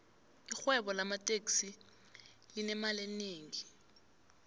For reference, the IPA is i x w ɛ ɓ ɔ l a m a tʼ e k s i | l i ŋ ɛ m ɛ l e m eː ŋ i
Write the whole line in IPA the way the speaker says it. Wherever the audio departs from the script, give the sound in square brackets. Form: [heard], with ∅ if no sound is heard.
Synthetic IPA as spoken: i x w ɛ ɓ ɔ l a m a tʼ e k s i | l i [n] ɛ m [a] l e [n] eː ŋ i